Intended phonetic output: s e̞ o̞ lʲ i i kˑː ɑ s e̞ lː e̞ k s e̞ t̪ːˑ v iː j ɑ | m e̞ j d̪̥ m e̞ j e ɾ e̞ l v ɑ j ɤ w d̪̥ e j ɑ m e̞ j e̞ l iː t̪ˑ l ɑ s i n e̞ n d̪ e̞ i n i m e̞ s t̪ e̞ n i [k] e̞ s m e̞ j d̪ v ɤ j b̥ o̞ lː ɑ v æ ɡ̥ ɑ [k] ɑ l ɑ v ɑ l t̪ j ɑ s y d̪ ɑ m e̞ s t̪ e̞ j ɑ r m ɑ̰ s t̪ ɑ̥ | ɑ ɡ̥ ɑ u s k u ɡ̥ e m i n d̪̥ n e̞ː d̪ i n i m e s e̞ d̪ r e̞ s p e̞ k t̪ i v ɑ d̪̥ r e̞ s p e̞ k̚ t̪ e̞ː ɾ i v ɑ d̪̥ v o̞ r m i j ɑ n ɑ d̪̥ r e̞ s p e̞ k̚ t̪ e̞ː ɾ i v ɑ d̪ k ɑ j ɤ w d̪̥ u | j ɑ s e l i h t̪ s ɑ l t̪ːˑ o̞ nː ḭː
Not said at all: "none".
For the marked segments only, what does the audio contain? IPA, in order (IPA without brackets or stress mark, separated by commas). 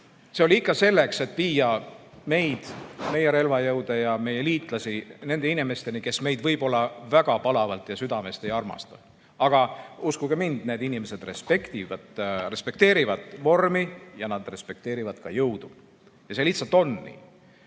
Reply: k, p